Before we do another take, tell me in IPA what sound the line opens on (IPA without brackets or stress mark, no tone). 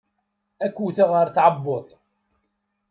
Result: æ